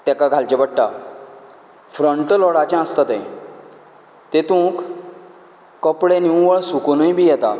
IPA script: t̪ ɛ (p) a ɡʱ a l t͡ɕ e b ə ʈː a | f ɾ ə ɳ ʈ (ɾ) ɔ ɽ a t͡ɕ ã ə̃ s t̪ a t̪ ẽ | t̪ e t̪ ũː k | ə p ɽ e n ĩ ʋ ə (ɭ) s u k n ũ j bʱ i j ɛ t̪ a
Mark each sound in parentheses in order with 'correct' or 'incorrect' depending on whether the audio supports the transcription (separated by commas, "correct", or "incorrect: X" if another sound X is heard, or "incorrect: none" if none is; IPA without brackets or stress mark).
incorrect: k, incorrect: l, correct